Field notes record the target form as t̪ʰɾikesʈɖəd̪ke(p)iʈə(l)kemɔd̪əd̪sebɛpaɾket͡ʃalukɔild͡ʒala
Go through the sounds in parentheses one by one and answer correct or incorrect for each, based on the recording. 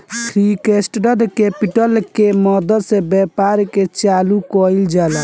correct, correct

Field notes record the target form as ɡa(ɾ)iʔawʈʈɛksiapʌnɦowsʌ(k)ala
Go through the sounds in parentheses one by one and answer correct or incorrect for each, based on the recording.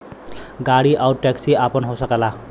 incorrect: ɽ, correct

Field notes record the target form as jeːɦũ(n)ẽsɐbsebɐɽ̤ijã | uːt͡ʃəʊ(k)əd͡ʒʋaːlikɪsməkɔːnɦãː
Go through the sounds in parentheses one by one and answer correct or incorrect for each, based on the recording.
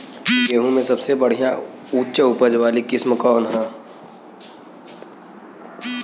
incorrect: m, incorrect: p

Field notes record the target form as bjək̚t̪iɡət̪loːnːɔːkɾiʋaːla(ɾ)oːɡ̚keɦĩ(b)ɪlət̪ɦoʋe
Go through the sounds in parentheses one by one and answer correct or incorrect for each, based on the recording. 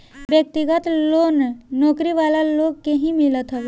incorrect: l, incorrect: m

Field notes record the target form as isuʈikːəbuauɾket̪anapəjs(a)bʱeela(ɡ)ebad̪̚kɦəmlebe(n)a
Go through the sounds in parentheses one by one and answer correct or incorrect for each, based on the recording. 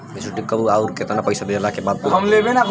correct, incorrect: k, correct

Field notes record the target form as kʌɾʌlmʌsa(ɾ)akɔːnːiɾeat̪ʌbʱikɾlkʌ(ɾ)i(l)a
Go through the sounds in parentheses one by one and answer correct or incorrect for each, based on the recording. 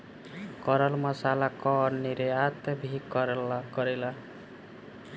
incorrect: l, correct, correct

